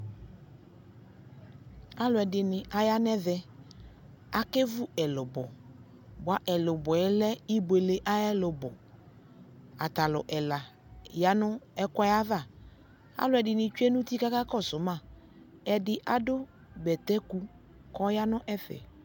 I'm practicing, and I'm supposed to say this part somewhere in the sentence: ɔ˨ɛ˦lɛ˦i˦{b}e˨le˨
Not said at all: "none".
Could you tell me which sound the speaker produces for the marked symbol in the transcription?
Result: b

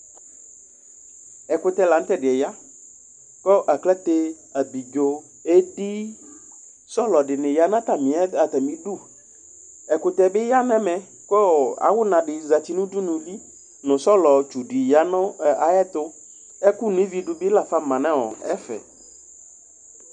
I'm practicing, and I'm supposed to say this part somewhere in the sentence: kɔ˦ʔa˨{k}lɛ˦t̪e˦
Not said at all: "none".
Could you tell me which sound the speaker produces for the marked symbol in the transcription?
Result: k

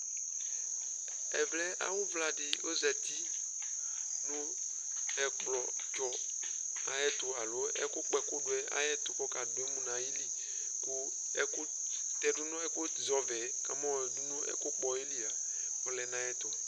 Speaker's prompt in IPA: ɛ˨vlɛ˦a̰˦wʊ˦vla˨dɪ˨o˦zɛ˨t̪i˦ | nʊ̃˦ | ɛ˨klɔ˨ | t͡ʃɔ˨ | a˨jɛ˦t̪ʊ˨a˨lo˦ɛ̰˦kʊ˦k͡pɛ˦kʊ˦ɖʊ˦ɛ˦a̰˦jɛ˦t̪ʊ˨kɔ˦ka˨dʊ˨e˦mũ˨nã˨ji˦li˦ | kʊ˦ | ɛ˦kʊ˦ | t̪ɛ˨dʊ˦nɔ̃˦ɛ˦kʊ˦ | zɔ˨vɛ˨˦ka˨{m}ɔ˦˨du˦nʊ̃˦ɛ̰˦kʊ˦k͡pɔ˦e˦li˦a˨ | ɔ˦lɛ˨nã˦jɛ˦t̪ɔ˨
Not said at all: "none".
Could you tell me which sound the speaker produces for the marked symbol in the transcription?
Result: m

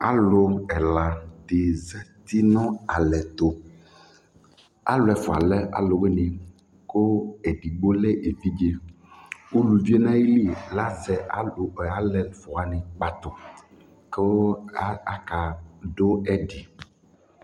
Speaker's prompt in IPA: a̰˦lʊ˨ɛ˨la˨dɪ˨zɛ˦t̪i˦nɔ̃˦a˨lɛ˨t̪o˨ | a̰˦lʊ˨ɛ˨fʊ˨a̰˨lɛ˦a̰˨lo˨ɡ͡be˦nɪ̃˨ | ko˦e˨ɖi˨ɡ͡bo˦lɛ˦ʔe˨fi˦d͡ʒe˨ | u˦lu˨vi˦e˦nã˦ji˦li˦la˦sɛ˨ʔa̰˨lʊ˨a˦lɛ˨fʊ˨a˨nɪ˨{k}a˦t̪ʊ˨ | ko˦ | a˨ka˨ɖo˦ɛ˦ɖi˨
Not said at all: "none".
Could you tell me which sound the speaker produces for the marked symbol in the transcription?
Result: k͡p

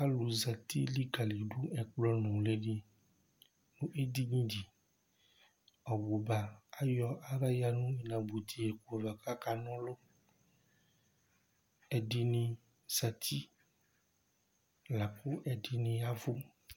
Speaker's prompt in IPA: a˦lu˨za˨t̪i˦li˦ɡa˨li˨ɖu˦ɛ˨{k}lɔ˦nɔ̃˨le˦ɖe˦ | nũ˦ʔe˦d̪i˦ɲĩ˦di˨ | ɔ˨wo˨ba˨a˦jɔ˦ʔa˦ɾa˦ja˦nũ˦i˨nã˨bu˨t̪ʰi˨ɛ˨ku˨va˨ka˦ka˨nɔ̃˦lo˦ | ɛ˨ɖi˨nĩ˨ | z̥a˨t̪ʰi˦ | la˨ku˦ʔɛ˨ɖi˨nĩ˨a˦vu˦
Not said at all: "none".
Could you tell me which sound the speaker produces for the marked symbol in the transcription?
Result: k͡p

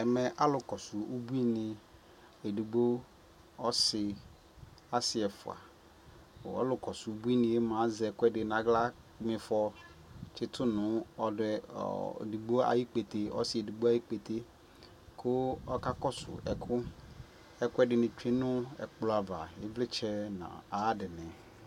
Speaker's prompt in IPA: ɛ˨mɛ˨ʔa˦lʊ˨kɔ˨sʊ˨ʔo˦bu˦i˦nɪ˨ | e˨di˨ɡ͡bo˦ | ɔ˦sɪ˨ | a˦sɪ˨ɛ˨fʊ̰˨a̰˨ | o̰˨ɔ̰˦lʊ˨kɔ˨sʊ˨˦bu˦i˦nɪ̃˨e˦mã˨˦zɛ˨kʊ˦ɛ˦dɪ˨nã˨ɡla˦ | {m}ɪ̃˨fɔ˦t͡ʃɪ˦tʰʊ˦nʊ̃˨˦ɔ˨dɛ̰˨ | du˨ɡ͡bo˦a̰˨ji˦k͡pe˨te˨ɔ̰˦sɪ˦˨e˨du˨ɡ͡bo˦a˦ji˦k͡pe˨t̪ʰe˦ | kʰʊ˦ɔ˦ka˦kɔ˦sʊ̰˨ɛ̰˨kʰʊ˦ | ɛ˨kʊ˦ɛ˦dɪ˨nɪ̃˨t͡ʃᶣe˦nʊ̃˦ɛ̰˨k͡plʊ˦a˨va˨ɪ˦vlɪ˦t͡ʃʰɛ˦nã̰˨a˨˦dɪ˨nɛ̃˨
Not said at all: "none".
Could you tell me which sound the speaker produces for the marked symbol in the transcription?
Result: m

